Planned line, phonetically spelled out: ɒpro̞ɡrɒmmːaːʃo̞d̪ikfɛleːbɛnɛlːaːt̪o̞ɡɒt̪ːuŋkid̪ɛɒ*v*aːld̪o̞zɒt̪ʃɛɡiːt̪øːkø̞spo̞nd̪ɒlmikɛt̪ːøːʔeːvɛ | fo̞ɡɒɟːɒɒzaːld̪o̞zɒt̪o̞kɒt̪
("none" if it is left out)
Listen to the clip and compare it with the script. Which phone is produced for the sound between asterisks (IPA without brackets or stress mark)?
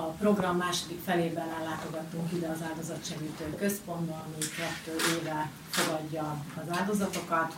z